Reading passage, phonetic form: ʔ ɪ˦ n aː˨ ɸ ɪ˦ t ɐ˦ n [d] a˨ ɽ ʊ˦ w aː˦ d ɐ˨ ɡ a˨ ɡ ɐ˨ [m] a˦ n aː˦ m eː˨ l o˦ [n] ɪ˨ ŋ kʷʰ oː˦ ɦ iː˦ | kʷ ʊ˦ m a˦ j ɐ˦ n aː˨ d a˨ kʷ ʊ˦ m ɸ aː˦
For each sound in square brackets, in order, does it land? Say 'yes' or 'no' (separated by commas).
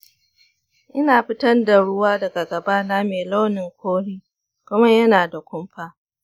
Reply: yes, no, yes